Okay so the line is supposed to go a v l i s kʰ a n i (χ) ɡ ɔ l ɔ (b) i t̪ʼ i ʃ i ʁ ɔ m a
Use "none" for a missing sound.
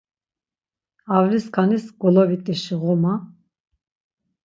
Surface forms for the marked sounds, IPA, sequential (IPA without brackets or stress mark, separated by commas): s, v